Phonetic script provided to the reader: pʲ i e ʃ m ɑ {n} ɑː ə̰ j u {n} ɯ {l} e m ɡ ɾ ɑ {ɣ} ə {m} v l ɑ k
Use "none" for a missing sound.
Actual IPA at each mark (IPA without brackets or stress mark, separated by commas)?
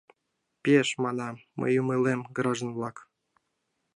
n, m, l, ʒ, n